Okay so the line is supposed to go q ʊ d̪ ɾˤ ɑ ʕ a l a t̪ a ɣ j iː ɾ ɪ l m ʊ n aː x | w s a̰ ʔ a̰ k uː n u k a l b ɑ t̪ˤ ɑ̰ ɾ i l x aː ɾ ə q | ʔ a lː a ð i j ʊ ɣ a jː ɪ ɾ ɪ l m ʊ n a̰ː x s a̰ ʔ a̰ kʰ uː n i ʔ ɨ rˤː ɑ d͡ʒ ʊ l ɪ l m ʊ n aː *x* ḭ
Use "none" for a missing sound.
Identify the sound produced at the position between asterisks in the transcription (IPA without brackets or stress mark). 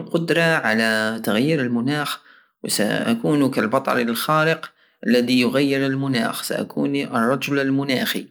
x